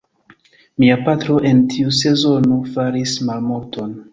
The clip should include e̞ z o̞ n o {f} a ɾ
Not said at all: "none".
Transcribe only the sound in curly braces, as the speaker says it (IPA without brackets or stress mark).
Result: f